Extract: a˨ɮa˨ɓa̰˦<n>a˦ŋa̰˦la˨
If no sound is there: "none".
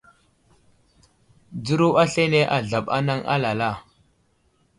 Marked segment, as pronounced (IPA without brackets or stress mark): n